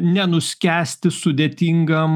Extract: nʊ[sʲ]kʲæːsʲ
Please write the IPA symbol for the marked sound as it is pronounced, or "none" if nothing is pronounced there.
sʲ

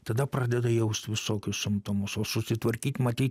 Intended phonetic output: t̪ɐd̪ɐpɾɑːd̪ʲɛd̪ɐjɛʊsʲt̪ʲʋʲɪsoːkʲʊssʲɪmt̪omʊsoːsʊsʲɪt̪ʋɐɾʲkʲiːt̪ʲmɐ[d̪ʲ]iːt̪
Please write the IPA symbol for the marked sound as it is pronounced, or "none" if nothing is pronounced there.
t̪ʲ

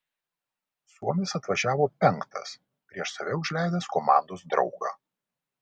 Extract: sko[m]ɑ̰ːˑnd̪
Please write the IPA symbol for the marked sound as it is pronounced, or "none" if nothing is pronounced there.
m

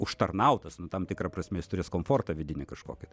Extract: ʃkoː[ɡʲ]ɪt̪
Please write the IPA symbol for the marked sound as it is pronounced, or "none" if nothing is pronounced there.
kʲ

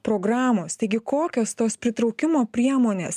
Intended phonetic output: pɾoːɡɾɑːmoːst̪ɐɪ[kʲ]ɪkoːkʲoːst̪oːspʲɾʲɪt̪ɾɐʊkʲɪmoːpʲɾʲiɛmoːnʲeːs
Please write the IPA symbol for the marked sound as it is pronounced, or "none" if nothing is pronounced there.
ɡʲ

